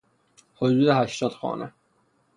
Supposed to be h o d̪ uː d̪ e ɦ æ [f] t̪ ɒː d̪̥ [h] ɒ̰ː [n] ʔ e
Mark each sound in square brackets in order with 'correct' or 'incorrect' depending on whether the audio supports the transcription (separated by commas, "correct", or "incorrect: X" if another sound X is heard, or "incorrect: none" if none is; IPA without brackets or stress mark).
incorrect: ʃ, incorrect: x, correct